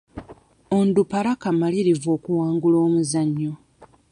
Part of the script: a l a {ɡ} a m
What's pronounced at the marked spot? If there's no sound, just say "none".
k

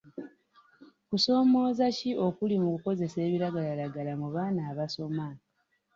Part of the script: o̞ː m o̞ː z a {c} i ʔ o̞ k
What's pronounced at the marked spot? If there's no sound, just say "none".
c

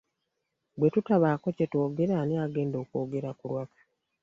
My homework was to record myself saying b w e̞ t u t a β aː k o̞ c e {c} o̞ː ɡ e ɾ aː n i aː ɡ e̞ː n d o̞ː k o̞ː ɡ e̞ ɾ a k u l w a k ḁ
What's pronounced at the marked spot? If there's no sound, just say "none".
t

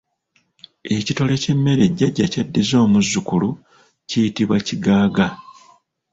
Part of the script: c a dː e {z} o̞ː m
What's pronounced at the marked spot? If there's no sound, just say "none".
z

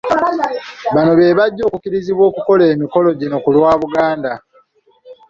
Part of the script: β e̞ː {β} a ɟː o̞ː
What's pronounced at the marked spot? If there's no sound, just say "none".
β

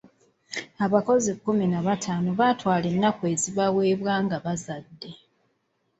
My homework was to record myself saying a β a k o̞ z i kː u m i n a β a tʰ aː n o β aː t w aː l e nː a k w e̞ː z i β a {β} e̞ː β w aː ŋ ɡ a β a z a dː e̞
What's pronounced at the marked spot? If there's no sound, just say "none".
w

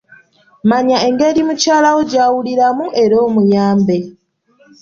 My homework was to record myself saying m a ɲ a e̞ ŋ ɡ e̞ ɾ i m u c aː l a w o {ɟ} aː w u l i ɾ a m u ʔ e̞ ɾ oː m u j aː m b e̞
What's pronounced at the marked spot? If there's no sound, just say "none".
ɟ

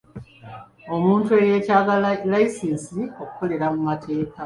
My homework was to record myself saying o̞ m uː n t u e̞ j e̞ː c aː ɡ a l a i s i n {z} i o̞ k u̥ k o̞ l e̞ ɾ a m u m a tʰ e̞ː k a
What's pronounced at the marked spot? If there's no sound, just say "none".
s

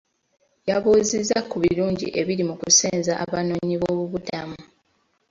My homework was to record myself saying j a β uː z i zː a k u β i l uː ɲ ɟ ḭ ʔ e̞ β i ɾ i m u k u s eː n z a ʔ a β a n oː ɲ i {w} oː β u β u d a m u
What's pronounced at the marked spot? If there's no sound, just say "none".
β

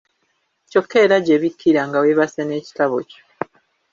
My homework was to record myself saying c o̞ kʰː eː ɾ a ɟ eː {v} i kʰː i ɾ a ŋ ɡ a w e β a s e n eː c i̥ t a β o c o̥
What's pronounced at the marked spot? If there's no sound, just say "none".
β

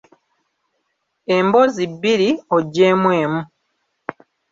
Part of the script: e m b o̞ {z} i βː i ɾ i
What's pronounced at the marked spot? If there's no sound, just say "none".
z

